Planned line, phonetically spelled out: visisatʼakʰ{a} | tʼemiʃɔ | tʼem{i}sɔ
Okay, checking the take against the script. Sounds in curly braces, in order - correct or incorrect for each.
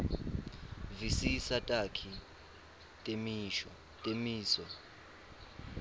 incorrect, incorrect

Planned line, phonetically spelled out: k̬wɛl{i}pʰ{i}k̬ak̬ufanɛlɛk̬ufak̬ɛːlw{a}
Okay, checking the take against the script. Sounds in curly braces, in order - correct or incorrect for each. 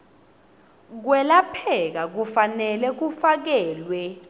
incorrect, incorrect, incorrect

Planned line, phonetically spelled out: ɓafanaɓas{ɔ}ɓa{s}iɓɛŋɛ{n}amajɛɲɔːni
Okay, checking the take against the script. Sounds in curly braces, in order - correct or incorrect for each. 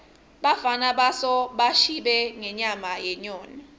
correct, incorrect, incorrect

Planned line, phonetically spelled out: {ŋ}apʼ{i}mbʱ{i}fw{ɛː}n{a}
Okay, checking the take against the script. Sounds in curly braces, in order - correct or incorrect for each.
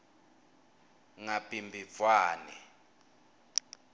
correct, correct, correct, incorrect, incorrect

